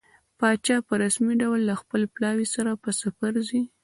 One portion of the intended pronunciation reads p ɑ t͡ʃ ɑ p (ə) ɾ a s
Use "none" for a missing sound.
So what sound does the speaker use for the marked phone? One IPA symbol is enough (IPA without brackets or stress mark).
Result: ə